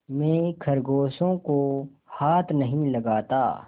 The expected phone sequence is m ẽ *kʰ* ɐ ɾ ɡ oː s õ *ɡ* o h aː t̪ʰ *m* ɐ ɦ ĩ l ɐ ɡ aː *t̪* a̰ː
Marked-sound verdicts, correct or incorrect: correct, incorrect, incorrect, correct

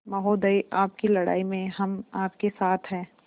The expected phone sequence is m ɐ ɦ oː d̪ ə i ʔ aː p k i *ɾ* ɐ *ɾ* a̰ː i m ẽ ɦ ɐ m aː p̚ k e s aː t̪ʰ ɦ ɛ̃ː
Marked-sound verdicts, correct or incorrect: incorrect, incorrect

